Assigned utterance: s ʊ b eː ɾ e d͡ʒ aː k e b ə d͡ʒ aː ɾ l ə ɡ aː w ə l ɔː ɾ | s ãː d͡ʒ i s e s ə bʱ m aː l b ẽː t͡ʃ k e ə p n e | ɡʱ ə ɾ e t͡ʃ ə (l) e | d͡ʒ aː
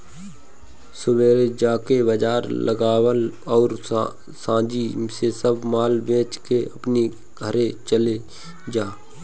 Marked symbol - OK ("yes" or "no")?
yes